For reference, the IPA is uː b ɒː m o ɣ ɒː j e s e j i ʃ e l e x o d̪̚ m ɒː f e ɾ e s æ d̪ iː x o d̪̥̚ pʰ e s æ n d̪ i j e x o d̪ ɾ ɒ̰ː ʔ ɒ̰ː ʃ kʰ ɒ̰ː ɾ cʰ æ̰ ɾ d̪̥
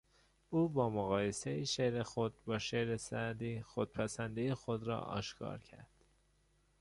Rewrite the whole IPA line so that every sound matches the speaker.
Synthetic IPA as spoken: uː b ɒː m o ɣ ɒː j e s e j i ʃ e ɾ e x o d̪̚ b ɒː ʃ e ɾ e s æ d̪ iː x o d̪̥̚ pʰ æ s æ n d̪ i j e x o d̪ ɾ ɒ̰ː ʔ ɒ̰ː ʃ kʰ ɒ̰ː ɾ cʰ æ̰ ɾ d̪̥

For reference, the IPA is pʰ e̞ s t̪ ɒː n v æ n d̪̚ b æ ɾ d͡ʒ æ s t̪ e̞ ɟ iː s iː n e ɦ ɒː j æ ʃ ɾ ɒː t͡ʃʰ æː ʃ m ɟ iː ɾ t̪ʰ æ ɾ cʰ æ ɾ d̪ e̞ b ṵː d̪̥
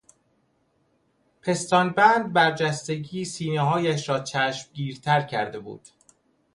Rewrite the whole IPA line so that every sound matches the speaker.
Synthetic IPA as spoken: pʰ e̞ s t̪ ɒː n b æ n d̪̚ b æ ɾ d͡ʒ æ s t̪ e̞ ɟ iː s iː n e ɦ ɒː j æ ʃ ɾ ɒː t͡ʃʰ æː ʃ m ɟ iː ɾ t̪ʰ æ ɾ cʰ æ ɾ d̪ e̞ b ṵː d̪̥

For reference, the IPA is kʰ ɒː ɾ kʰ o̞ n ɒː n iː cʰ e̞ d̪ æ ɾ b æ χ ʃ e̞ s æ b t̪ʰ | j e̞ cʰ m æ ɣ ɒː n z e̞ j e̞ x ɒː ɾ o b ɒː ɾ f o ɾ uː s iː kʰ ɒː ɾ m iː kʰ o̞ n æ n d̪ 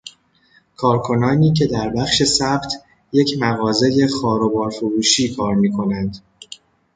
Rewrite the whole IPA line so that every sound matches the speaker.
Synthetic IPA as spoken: kʰ ɒː ɾ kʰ o̞ n ɒː n iː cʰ e̞ d̪ æ ɾ b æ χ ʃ e̞ s æ b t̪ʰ | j e̞ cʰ m æ ɣ ɒː z e̞ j e̞ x ɒː ɾ o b ɒː ɾ f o ɾ uː ʃ iː kʰ ɒː ɾ m iː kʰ o̞ n æ n d̪

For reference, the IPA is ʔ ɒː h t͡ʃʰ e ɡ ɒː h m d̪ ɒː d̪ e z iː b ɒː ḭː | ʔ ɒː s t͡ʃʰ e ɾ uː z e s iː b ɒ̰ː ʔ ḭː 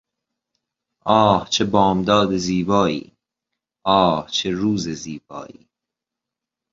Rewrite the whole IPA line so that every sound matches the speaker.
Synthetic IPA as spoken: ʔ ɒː h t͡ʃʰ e b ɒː m d̪ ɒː d̪ e z iː b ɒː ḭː | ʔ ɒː h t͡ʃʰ e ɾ uː z e z iː b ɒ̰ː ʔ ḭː

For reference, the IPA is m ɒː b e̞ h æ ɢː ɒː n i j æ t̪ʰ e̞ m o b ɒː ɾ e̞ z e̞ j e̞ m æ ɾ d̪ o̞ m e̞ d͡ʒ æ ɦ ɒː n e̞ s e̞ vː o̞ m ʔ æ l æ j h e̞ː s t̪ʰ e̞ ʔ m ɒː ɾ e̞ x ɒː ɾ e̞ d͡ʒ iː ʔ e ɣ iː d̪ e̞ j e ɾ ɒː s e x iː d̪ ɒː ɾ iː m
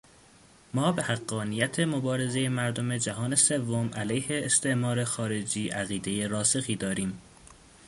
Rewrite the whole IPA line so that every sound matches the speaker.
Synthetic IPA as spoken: m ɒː b e̞ h æ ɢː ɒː n i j æ t̪ʰ e̞ m o b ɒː ɾ e̞ z e̞ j e̞ m æ ɾ d̪ o̞ m e̞ d͡ʒ æ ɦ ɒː n e̞ s e̞ vː o̞ m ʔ æ l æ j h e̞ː s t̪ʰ e̞ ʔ m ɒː ɾ e̞ x ɒː ɾ e̞ d͡ʒ iː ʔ æ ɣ iː d̪ e̞ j e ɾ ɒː s e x iː d̪ ɒː ɾ iː m

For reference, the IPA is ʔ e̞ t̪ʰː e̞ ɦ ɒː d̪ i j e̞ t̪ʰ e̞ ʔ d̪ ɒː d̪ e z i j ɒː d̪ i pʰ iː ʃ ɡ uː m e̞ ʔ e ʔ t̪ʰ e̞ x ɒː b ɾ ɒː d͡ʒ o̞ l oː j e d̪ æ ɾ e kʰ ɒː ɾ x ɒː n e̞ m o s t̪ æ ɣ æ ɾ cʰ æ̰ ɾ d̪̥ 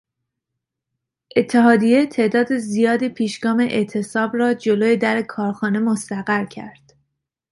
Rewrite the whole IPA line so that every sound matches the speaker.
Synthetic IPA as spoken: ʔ e̞ t̪ʰː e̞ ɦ ɒː d̪ i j e̞ t̪ʰ e̞ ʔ d̪ ɒː d̪ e z i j ɒː d̪ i pʰ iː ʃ ɡ ɒː m e̞ ʔ e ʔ t̪ʰ e̞ s ɒː b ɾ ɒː d͡ʒ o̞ l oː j e d̪ æ ɾ e kʰ ɒː ɾ x ɒː n e̞ m o s t̪ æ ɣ æ ɾ cʰ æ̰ ɾ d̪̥

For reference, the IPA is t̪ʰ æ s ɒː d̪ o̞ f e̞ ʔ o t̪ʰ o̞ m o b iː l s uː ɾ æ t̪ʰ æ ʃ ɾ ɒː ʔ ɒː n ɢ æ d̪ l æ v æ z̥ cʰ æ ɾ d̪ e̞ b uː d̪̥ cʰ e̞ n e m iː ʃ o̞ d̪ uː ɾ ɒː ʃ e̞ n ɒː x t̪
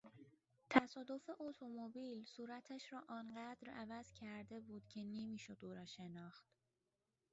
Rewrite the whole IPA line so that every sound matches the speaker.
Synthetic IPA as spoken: t̪ʰ æ s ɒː d̪ o̞ f e̞ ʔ o t̪ʰ o̞ m o b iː l s uː ɾ æ t̪ʰ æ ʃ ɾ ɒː ʔ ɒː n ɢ æ d̪ ɾ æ v æ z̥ cʰ æ ɾ d̪ e̞ b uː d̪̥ cʰ e̞ n e m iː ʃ o̞ d̪ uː ɾ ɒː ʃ e̞ n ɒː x t̪

